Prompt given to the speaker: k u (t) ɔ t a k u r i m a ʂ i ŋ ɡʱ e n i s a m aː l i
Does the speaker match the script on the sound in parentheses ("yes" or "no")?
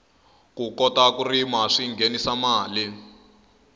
no